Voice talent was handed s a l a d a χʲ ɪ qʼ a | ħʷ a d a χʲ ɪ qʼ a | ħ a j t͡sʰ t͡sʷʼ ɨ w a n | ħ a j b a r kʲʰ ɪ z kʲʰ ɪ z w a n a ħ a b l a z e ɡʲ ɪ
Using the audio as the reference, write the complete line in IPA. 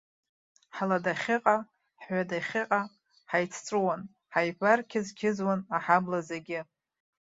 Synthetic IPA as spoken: ħ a l a d a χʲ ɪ qʼ a | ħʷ a d a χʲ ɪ qʼ a | ħ a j t͡sʰ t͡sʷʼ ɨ w a n | ħ a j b a r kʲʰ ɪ z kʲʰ ɪ z w a n a ħ a b l a z e ɡʲ ɪ